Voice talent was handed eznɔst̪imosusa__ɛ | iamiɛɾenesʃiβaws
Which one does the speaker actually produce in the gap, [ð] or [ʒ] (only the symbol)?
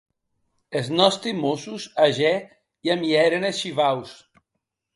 ʒ